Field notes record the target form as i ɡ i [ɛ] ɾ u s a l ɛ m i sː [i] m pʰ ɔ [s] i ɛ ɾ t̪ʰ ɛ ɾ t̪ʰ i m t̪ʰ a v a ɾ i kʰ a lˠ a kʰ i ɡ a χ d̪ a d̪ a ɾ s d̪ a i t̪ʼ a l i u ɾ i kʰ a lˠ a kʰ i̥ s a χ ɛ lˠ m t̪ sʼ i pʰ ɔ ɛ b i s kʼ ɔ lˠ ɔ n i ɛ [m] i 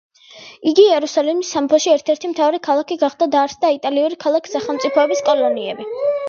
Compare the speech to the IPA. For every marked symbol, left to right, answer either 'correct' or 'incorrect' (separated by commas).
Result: correct, incorrect, incorrect, incorrect